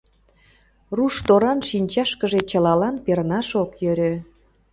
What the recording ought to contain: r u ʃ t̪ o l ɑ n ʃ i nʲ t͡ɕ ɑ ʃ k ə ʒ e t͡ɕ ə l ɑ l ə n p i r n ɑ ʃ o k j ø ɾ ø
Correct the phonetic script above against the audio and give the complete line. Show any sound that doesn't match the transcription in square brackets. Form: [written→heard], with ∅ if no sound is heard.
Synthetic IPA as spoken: r u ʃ t̪ o [l→ɾ] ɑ n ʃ i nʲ t͡ɕ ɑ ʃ k ə ʒ e t͡ɕ ə l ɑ l [ə→ɑ] n p [i→e] r n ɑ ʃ o k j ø ɾ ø